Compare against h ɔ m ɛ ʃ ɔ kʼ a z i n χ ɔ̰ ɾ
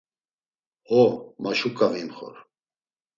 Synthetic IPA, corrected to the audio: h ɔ m a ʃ u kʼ a v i m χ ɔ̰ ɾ